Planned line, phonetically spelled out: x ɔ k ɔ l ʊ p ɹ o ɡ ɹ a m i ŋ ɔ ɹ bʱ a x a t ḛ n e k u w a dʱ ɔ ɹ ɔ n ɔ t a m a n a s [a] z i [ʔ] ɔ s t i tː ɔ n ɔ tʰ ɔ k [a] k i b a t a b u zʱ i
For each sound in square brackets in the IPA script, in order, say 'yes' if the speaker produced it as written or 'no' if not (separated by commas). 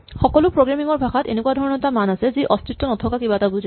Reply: no, yes, yes